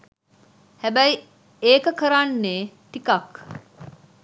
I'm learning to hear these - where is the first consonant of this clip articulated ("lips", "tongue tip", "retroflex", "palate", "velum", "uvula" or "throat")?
throat